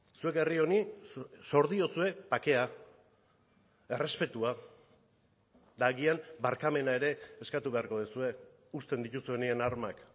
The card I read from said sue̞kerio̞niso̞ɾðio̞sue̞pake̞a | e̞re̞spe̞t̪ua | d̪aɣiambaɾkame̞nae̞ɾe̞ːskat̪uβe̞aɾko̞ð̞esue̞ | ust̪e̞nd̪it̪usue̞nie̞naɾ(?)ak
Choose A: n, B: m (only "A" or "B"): B